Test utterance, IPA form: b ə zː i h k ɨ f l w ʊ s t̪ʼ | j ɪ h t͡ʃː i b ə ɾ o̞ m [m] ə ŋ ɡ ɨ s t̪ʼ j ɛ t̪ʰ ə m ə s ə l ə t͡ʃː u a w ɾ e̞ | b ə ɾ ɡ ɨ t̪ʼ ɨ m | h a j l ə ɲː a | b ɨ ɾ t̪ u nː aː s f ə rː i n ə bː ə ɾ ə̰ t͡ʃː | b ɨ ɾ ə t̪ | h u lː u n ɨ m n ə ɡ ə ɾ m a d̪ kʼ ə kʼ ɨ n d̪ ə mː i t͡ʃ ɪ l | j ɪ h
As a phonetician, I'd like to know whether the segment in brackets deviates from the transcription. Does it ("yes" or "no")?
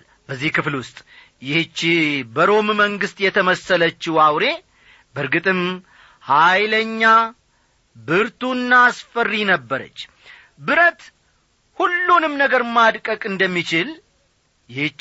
no